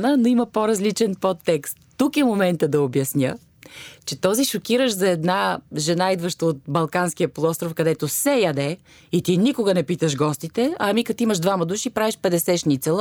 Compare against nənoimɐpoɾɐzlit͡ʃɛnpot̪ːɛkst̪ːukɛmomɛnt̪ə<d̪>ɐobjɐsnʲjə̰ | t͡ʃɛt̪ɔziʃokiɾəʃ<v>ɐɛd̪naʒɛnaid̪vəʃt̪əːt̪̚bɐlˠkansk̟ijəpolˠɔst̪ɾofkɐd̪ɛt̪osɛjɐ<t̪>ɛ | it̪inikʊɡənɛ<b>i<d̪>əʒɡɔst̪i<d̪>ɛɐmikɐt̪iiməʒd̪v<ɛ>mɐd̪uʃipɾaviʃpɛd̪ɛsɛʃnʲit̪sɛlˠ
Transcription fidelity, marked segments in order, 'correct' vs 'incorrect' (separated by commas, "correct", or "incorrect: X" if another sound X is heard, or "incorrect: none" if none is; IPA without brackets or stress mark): correct, incorrect: z, incorrect: d̪, incorrect: p, incorrect: t̪, incorrect: t̪, incorrect: a